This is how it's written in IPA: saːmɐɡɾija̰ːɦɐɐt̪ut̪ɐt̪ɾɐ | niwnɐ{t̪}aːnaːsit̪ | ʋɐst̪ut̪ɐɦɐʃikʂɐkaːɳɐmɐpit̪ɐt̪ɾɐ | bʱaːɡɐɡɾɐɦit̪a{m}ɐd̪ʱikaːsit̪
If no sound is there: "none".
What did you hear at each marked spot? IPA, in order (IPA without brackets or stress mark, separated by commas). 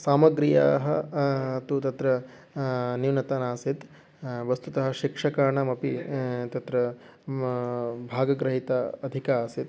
t̪, none